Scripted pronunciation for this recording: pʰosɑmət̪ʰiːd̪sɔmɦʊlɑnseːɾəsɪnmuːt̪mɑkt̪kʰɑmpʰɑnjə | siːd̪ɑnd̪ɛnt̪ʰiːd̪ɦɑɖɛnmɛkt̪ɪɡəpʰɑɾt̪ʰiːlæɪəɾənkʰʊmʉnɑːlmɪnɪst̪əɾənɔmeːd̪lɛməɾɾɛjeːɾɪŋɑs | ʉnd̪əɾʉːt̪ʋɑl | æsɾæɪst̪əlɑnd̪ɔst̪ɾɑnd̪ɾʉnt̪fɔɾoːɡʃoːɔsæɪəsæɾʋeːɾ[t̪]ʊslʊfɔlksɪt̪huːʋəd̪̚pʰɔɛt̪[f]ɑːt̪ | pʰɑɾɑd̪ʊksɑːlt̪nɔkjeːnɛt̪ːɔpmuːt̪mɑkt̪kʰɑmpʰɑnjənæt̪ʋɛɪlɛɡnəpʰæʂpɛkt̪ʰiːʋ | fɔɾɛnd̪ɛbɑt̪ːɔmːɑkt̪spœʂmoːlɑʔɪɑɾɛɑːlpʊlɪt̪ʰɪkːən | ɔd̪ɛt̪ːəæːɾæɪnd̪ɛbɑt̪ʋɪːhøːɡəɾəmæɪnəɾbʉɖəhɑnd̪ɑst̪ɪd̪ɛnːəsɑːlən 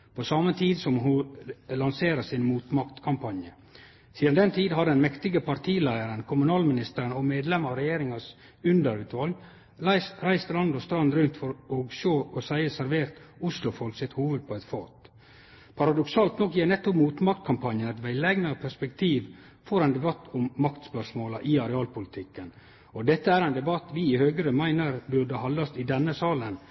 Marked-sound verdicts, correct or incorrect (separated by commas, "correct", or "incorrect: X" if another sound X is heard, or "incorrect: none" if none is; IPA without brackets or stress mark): correct, correct